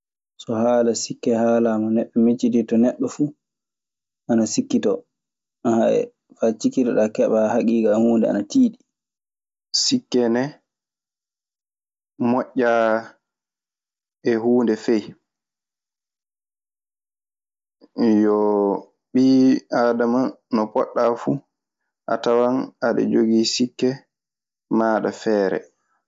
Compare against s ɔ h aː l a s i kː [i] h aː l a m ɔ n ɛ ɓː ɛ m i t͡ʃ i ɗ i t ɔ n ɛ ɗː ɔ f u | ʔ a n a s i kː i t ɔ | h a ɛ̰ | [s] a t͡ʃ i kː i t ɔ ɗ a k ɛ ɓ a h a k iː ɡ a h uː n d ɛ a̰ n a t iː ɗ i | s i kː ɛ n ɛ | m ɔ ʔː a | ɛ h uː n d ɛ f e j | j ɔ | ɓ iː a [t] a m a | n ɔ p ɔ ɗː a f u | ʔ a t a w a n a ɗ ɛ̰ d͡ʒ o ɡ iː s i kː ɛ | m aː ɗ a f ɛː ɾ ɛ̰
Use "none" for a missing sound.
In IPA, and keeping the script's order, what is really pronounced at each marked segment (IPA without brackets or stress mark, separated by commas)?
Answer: ɛ, f, d